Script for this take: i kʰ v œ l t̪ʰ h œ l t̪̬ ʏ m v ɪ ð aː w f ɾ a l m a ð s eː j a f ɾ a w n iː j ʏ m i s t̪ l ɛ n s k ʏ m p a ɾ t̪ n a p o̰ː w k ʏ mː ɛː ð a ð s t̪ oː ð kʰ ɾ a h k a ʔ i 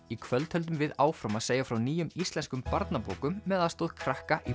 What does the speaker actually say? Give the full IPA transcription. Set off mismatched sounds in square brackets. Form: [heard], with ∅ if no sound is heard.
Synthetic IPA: i kʰ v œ l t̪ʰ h œ l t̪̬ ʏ m v ɪ ð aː w f ɾ a [∅] m a ð s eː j a f ɾ a w n iː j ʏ m i s t̪ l ɛ n s k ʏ m p a ɾ t̪ n a p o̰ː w k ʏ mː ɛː ð a ð s t̪ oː ð kʰ ɾ a h k a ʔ i

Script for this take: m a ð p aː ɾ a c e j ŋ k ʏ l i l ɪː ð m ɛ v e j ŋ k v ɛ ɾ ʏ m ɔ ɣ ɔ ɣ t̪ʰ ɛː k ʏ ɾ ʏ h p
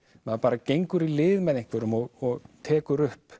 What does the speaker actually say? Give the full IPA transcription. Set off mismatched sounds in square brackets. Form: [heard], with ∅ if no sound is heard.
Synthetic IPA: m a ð p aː ɾ a c e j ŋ k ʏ [ɾ] i l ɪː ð m ɛ [ð] e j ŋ k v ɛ ɾ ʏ m ɔ ɣ ɔ ɣ t̪ʰ ɛː k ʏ ɾ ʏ h p

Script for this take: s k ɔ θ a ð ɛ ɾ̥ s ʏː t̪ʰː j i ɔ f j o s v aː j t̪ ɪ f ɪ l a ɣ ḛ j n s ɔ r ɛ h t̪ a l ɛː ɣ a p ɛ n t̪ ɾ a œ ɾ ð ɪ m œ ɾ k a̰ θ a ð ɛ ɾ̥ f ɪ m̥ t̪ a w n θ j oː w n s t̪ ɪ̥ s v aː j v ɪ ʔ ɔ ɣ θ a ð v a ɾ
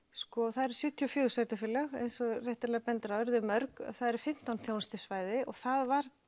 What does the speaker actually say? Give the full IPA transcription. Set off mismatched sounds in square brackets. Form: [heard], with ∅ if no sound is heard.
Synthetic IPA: s k ɔ θ a ð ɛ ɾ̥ s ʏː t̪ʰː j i ɔ f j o s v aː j t̪ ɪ f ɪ l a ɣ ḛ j n s ɔ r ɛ h t̪ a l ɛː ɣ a p ɛ n t̪ ɾ a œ ɾ ð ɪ m œ ɾ k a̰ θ a ð ɛ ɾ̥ f ɪ m̥ t̪ a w n θ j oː w n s t̪ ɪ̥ s v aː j [ð] ɪ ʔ ɔ ɣ θ a ð v a ɾ

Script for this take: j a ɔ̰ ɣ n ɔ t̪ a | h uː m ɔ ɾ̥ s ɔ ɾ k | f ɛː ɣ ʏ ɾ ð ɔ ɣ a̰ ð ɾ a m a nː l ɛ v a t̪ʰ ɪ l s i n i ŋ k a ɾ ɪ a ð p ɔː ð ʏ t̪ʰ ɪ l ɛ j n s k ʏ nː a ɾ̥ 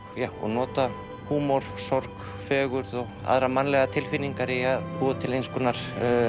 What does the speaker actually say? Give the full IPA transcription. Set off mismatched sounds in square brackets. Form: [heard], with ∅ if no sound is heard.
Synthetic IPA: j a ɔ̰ ɣ n [ɔː] t̪ a | h uː m ɔ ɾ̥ s ɔ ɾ k | f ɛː ɣ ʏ ɾ ð ɔ ɣ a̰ ð ɾ a m a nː l ɛ [ɣ] a t̪ʰ ɪ l [f] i n i ŋ k a ɾ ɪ a ð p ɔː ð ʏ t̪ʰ ɪ l [e] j n s k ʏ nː a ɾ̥

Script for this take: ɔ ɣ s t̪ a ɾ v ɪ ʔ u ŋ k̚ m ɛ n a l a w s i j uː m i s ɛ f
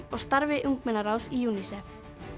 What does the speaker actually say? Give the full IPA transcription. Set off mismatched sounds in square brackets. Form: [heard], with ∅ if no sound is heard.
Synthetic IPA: ɔ ɣ s t̪ a ɾ v ɪ ʔ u ŋ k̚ m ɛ n a [ɾ] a w s i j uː [n] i s ɛ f

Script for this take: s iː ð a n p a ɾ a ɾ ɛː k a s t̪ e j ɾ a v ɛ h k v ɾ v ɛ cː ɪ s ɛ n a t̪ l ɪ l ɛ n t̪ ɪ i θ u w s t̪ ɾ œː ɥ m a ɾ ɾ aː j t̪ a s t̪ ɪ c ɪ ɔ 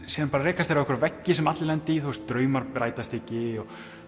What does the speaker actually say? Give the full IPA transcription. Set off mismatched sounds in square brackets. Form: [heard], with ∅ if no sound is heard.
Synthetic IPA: s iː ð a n p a ɾ a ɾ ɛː k a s t̪ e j ɾ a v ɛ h k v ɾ v ɛ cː ɪ s ɛ [m] a t̪ l ɪ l ɛ n t̪ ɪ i θ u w s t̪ ɾ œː ɥ m a ɾ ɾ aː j t̪ a s t̪ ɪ c ɪ ɔ

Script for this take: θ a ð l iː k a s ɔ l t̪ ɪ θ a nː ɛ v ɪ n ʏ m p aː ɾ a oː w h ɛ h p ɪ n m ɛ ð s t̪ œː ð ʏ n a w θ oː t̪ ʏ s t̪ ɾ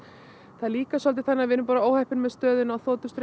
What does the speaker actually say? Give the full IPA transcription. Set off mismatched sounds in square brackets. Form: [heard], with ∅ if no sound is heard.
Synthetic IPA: θ a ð l iː k a s ɔ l t̪ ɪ θ a nː [a] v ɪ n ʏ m p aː ɾ a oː w h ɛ h p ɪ n m ɛ ð s t̪ œː ð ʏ n a w θ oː t̪ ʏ s t̪ ɾ

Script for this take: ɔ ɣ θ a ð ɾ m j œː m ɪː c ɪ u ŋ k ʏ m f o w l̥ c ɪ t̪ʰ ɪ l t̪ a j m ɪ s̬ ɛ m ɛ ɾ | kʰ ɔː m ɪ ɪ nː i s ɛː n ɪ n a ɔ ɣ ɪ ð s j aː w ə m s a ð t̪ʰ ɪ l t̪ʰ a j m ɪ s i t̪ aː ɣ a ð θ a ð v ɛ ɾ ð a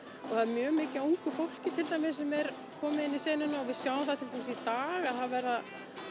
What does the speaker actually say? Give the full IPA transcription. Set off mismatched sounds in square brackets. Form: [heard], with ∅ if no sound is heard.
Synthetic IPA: ɔ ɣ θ a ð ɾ m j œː m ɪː c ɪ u ŋ k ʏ [∅] f o w l̥ c ɪ t̪ʰ ɪ l t̪ a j m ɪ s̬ ɛ m ɛ ɾ | kʰ ɔː m ɪ ɪ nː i s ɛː n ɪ n a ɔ [v] ɪ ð s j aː w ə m [θ] a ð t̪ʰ ɪ l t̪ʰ a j m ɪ s i t̪ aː ɣ a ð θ a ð v ɛ ɾ ð a

